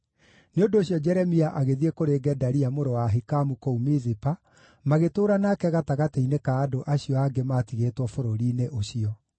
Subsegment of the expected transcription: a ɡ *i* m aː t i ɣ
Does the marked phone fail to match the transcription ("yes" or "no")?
yes